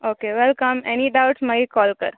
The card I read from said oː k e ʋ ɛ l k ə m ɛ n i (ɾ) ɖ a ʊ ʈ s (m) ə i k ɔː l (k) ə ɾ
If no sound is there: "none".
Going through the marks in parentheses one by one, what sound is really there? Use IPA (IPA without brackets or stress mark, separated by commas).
none, m, k